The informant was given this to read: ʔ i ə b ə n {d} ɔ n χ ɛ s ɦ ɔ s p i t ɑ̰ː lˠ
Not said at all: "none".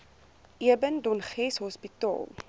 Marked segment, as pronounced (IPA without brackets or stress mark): d